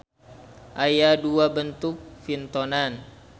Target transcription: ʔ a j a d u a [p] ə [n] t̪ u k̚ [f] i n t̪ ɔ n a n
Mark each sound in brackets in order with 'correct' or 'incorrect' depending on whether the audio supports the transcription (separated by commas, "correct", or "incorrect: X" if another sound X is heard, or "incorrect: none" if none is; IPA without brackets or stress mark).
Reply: incorrect: b, correct, correct